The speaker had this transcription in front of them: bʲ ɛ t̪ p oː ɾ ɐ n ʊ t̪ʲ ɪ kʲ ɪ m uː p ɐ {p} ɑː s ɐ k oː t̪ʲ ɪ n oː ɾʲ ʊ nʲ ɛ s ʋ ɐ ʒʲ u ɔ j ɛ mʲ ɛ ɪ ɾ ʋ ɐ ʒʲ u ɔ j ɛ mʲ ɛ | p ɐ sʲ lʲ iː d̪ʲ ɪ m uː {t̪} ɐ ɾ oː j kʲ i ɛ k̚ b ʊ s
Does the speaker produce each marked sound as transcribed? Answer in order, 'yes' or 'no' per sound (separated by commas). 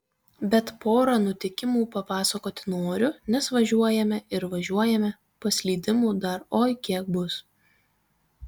yes, no